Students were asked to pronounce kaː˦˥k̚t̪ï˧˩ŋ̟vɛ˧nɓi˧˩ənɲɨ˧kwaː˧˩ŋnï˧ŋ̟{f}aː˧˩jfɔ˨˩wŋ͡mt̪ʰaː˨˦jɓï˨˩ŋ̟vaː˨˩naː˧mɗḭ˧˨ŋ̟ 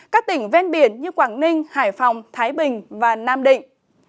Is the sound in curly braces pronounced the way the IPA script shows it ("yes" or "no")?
no